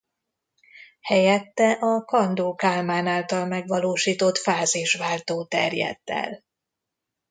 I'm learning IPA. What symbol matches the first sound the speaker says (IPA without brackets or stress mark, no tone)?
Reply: h